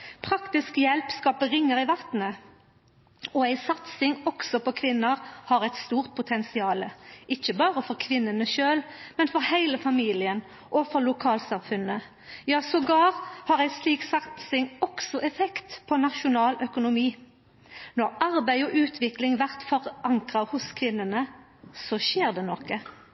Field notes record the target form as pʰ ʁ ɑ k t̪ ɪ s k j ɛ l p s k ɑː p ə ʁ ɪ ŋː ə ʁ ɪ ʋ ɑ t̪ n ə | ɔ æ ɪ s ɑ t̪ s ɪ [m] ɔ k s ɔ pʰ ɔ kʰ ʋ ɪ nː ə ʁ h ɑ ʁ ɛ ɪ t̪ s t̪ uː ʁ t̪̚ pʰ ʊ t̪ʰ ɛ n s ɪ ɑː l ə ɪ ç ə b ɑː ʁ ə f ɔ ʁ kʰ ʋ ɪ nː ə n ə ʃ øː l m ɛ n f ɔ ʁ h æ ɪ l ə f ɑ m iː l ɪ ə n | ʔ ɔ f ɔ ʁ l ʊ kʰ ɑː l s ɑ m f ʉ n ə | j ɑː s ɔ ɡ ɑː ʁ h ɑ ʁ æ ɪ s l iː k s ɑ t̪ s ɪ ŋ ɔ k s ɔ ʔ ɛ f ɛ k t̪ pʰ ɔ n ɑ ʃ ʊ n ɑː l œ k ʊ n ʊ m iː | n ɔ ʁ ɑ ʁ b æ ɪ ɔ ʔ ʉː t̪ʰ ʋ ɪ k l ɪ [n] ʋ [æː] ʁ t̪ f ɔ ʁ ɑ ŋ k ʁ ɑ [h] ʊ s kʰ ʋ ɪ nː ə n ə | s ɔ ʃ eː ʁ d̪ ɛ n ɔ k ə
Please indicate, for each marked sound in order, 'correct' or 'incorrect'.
incorrect: ŋ, incorrect: ŋ, incorrect: æ, correct

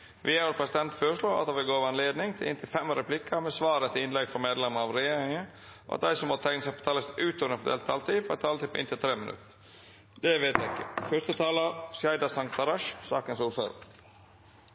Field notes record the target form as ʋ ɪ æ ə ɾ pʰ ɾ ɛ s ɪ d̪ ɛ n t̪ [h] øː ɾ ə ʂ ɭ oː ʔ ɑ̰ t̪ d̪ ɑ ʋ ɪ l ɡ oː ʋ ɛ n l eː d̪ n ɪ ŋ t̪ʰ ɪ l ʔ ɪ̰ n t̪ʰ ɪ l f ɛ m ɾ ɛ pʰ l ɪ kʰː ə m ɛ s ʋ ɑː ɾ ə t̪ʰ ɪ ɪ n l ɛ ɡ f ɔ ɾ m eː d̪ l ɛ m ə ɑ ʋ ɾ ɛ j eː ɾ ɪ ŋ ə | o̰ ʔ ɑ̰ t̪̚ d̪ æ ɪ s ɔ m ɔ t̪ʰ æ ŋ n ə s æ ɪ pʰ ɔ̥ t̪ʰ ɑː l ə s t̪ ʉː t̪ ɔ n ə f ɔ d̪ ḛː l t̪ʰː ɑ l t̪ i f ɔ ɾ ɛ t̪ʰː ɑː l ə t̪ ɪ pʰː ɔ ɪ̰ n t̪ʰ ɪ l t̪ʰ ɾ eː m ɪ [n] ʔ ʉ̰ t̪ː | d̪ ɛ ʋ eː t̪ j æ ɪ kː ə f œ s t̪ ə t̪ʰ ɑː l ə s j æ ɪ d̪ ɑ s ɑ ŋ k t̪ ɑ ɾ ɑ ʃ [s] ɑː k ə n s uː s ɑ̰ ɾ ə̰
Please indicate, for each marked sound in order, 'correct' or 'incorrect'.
incorrect: f, correct, correct

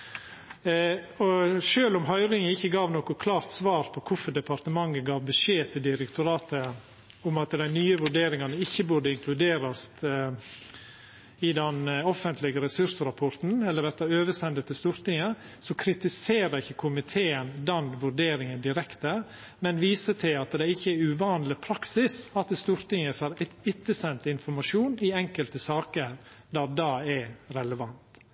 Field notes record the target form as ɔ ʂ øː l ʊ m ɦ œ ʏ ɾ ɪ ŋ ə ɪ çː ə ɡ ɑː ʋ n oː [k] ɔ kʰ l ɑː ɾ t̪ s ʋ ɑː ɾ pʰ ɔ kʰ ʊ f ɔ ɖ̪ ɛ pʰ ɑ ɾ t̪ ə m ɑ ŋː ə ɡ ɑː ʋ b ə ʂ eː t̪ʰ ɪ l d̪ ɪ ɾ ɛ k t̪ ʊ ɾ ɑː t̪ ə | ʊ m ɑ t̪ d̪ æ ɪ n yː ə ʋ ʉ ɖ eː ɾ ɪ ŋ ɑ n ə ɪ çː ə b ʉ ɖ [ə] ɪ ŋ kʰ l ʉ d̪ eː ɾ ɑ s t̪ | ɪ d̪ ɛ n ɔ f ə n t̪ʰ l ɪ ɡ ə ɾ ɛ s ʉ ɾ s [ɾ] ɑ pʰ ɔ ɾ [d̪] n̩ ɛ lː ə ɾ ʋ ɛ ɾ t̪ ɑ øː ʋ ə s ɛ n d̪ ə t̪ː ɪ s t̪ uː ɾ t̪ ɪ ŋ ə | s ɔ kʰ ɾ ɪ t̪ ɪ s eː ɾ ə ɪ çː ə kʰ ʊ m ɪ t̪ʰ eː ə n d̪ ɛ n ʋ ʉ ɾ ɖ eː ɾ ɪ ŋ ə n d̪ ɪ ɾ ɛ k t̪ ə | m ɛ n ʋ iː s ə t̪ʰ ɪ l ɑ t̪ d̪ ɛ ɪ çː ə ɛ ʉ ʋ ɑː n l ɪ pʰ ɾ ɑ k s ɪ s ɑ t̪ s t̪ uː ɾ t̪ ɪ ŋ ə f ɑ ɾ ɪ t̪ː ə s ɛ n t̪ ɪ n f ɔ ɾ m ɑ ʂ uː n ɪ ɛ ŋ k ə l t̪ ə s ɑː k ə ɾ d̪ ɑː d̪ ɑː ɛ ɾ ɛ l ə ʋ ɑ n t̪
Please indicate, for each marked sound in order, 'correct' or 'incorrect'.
correct, correct, correct, incorrect: t̪

